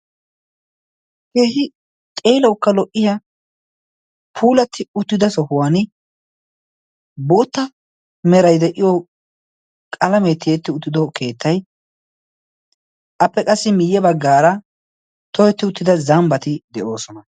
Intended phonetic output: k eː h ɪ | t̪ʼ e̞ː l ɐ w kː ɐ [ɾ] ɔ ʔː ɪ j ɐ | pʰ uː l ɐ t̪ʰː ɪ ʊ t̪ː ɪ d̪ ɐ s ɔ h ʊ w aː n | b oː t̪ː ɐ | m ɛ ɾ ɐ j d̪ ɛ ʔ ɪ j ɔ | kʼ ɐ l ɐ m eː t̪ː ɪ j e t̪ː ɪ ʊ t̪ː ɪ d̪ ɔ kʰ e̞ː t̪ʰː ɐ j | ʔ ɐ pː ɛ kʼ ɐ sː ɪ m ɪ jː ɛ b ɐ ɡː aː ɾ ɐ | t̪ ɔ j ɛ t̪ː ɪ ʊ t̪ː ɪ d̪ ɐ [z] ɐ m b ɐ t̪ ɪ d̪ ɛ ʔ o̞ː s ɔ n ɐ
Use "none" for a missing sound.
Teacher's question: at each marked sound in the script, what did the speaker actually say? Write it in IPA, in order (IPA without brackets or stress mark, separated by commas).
l, z